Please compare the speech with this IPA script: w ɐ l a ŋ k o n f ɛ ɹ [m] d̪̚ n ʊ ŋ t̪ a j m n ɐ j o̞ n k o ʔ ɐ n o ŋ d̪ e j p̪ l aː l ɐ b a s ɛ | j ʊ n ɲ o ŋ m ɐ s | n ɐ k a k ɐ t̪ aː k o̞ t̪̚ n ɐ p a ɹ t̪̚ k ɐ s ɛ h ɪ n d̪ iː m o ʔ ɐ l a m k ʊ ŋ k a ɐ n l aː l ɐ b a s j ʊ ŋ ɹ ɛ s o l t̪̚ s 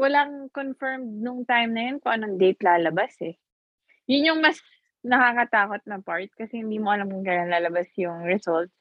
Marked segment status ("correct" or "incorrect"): correct